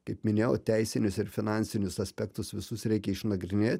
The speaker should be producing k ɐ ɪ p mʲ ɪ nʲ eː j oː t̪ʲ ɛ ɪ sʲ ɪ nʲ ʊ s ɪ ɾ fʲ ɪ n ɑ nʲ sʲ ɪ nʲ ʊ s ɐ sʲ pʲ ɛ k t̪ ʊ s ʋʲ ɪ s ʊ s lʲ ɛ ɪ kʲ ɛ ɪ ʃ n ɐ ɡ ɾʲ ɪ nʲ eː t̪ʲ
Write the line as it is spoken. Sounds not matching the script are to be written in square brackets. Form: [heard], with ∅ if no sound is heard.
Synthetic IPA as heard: k ɐ ɪ p mʲ ɪ nʲ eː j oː t̪ʲ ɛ ɪ sʲ ɪ nʲ ʊ s ɪ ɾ fʲ ɪ n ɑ nʲ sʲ ɪ nʲ ʊ s ɐ sʲ pʲ ɛ k t̪ ʊ s ʋʲ ɪ s ʊ s [ɾʲ] ɛ ɪ kʲ ɛ ɪ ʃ n ɐ ɡ ɾʲ ɪ nʲ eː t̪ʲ